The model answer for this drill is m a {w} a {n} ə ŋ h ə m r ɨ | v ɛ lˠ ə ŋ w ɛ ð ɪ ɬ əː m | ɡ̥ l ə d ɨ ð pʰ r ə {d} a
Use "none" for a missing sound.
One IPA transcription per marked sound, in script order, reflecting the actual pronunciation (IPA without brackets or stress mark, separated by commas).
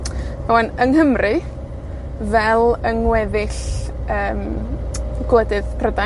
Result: w, n, d